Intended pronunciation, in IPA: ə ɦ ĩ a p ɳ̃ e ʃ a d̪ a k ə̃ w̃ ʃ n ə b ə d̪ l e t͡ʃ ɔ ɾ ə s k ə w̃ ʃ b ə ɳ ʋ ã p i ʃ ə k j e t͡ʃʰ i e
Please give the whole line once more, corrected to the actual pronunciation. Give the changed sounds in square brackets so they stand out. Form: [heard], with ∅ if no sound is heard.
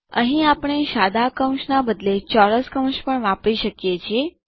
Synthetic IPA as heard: ə ɦ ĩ a p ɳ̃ e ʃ a d̪ a k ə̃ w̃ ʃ n [a] b ə d̪ l e t͡ʃ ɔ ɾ ə s k ə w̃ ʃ [p] ə ɳ ʋ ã p i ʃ ə k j e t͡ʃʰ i e